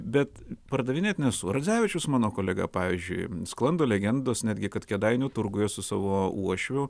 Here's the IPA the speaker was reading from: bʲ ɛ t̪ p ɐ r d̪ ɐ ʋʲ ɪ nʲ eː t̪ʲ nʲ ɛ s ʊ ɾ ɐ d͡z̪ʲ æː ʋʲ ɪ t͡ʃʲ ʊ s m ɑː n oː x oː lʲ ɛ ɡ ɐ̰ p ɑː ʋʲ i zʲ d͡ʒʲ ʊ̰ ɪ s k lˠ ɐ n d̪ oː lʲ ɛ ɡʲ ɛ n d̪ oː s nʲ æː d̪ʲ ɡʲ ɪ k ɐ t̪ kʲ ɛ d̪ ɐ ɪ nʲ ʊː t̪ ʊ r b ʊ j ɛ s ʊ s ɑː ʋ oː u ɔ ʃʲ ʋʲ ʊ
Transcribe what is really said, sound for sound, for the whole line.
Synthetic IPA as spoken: bʲ ɛ t̪ p ɐ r d̪ ɐ ʋʲ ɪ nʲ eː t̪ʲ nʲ ɛ s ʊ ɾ ɐ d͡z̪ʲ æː ʋʲ ɪ t͡ʃʲ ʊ s m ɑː n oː k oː lʲ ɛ ɡ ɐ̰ p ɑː ʋʲ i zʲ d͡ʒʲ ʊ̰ ɪ s k lˠ ɐ n d̪ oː lʲ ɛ ɡʲ ɛ n d̪ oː s nʲ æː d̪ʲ ɡʲ ɪ k ɐ t̪ kʲ ɛ d̪ ɐ ɪ nʲ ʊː t̪ ʊ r ɡ ʊ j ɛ s ʊ s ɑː ʋ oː u ɔ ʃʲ ʋʲ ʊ